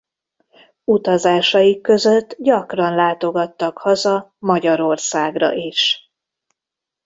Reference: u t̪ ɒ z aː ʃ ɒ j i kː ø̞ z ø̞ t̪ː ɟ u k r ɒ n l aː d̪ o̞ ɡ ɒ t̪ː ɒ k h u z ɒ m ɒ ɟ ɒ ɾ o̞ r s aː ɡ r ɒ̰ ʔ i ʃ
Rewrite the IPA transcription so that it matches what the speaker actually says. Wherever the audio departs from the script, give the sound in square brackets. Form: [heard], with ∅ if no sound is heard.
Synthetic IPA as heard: u t̪ ɒ z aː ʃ ɒ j i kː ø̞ z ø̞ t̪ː ɟ [ɒ] k r ɒ n l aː [t̪] o̞ ɡ ɒ t̪ː ɒ k h [ɒ] z ɒ m ɒ ɟ ɒ ɾ o̞ r s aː ɡ r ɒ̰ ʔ i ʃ

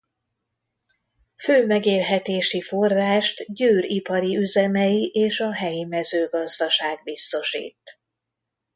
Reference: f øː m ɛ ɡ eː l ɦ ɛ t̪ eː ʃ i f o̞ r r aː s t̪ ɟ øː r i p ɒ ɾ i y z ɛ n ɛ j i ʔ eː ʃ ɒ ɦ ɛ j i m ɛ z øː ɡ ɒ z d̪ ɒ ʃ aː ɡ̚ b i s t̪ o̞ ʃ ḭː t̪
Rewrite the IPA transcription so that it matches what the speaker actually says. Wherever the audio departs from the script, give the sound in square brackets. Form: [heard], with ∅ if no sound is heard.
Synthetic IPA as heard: f øː m ɛ ɡ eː l ɦ ɛ t̪ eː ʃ i f o̞ r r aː [ʃ] t̪ ɟ øː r i p ɒ ɾ i y z ɛ [m] ɛ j i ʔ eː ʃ ɒ ɦ ɛ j i m ɛ z øː ɡ ɒ z d̪ ɒ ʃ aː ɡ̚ b i s t̪ o̞ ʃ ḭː t̪

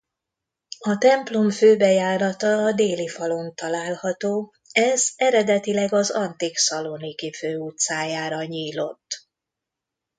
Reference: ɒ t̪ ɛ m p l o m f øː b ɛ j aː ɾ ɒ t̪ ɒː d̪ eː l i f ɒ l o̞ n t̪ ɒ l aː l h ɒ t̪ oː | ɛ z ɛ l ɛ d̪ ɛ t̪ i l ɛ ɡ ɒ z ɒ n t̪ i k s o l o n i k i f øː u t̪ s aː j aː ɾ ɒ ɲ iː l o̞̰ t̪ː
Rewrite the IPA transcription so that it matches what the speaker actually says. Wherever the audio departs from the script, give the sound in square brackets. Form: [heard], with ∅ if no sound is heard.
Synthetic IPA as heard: ɒ t̪ ɛ m p l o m f øː b ɛ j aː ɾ ɒ t̪ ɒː d̪ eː l i f ɒ l o̞ n t̪ ɒ l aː l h ɒ t̪ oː | ɛ z ɛ [ɾ] ɛ d̪ ɛ t̪ i l ɛ ɡ ɒ z ɒ n t̪ i k s [ɒ] l o n i k i f øː u t̪ s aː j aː ɾ ɒ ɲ iː l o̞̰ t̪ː

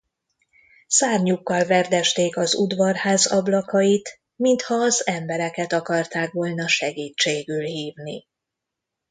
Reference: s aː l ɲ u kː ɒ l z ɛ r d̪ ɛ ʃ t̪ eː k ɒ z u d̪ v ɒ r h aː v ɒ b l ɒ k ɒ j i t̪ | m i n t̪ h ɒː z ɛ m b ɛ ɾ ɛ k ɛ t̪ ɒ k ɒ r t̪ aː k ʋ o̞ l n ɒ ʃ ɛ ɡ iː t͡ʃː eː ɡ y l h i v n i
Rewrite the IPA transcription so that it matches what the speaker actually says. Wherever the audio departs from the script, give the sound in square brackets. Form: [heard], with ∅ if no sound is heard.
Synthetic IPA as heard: s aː [r] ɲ u kː ɒ l [v] ɛ r d̪ ɛ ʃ t̪ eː k ɒ z u d̪ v ɒ r h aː [z] ɒ b l ɒ k ɒ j i t̪ | m i n t̪ h ɒː z ɛ m b ɛ ɾ ɛ k ɛ t̪ ɒ k ɒ r t̪ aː k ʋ o̞ l n ɒ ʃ ɛ ɡ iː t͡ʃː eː ɡ y l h [iː] v n i

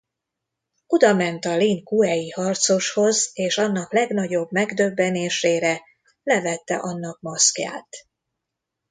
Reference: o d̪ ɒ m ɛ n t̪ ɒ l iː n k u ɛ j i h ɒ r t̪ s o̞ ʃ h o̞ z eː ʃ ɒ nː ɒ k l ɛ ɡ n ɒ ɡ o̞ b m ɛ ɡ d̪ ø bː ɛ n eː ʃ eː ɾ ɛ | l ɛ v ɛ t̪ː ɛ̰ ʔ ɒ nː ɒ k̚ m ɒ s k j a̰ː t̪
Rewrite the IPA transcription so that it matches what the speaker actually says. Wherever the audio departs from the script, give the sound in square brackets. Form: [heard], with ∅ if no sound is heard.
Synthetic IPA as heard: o d̪ ɒ m ɛ n t̪ ɒ l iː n k u ɛ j i h ɒ r t̪ s o̞ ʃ h o̞ z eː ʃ ɒ nː ɒ k l ɛ ɡ n ɒ [ɟ] o̞ b m ɛ ɡ d̪ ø bː ɛ n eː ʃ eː ɾ ɛ | l ɛ v ɛ t̪ː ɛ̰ ʔ ɒ nː ɒ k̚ m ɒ s k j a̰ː t̪

